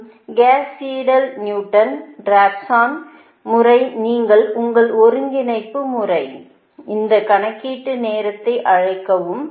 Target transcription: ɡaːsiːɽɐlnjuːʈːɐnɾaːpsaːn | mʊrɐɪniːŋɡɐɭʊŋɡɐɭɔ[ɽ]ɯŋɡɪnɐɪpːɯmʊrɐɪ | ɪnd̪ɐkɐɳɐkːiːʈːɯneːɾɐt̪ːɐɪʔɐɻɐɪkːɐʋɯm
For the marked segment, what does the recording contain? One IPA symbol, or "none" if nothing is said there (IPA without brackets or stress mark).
ɾ